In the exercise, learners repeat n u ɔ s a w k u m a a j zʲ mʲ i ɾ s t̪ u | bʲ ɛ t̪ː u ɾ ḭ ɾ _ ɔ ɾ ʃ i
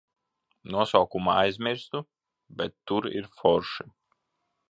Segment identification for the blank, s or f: f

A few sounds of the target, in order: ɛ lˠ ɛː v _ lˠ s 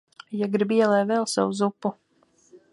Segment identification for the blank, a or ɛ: ɛ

